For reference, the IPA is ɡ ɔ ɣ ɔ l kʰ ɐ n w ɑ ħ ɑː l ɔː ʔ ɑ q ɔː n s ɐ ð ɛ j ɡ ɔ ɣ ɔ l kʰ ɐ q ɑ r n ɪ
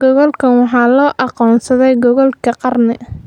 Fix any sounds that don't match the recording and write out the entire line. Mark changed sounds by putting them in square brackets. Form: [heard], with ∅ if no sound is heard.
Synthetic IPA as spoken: ɡ ɔ ɣ ɔ l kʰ ɐ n w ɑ ħ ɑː l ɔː ʔ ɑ q ɔː n s ɐ ð ɛ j ɡ ɔ ɣ ɔ l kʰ ɐ q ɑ r n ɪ